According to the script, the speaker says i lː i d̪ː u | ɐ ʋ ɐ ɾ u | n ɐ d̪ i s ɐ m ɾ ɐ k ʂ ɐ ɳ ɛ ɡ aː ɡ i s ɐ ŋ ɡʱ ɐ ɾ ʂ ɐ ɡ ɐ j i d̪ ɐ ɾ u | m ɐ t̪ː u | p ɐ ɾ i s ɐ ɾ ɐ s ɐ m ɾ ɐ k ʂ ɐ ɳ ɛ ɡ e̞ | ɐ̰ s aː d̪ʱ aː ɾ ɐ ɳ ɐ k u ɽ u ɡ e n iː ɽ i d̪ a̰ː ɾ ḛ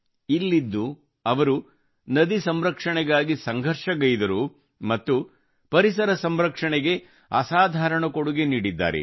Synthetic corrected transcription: i lː i d̪ː u | ɐ ʋ ɐ ɾ u | n ɐ d̪ i s ɐ m ɾ ɐ k ʂ ɐ ɳ ɛ ɡ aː ɡ i s ɐ ŋ ɡʱ ɐ ɾ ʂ ɐ ɡ ɐ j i d̪ ɐ ɾ u | m ɐ t̪ː u | p ɐ ɾ i s ɐ ɾ ɐ s ɐ m ɾ ɐ k ʂ ɐ ɳ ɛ ɡ e̞ | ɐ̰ s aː d̪ʱ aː ɾ ɐ ɳ ɐ k o ɽ u ɡ e n iː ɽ i d̪ː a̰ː ɾ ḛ